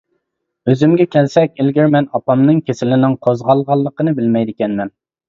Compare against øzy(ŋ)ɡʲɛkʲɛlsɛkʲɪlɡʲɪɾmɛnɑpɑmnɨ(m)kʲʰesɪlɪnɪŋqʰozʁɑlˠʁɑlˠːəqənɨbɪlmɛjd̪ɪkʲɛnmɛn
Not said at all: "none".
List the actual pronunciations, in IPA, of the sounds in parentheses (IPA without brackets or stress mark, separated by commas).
m, ŋ